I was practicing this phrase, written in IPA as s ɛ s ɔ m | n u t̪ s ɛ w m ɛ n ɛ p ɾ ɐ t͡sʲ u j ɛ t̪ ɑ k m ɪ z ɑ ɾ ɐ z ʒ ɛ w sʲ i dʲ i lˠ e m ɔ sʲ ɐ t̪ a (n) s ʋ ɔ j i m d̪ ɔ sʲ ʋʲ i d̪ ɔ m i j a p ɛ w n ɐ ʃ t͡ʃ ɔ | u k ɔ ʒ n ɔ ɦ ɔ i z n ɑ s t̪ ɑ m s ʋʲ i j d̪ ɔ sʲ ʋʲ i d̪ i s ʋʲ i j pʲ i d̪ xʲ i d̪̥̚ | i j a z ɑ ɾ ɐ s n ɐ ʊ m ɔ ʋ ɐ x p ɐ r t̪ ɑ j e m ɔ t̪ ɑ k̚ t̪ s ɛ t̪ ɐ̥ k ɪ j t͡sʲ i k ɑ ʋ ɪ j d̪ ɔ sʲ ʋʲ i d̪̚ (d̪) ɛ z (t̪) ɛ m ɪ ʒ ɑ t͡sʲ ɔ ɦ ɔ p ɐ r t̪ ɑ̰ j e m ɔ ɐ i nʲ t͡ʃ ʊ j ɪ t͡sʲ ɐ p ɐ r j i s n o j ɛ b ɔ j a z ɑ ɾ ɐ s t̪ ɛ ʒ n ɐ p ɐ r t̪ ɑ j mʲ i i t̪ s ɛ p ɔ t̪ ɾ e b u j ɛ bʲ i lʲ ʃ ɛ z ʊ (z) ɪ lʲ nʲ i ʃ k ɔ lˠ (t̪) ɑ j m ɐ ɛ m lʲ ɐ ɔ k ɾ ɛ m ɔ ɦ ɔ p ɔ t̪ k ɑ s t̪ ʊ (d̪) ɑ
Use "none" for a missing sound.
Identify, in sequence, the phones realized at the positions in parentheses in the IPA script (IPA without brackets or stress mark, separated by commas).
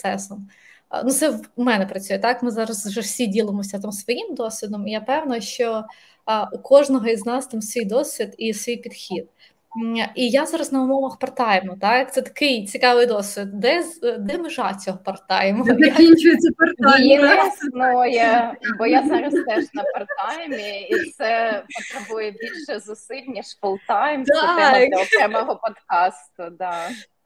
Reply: m, d̪, d̪, s, t̪, d̪